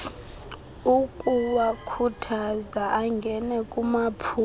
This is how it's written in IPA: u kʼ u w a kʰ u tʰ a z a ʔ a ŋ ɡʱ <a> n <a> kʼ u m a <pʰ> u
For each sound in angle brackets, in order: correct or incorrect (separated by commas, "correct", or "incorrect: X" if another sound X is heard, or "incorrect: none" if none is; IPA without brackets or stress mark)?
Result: incorrect: ɛ, incorrect: ɛ, correct